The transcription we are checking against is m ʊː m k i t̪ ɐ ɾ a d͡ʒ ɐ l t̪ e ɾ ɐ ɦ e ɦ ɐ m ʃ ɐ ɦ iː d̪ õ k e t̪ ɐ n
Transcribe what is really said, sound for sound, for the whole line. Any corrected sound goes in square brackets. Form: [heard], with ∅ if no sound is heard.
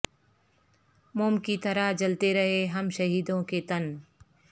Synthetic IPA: m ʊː m k i t̪ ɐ ɾ a d͡ʒ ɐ l t̪ e ɾ ɐ ɦ e ɦ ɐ m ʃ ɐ ɦ iː d̪ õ k e t̪ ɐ n